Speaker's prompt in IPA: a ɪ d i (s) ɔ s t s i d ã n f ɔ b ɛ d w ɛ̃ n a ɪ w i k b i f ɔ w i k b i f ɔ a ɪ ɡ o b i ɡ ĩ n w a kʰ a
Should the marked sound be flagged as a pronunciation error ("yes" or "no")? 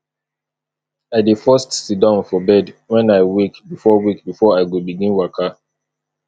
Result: yes